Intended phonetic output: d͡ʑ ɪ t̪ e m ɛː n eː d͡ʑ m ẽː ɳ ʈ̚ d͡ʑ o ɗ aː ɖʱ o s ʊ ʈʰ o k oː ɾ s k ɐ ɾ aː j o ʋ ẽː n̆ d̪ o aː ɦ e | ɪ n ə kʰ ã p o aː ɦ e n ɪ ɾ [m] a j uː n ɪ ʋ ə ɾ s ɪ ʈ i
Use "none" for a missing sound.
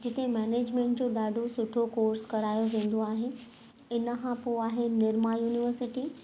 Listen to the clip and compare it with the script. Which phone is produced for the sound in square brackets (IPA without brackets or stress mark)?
m